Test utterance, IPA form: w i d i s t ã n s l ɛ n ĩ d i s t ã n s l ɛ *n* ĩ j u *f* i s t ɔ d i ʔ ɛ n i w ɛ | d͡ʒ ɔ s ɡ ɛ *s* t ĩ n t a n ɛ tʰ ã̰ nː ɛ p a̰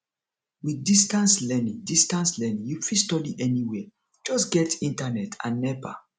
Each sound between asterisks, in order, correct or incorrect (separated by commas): correct, correct, incorrect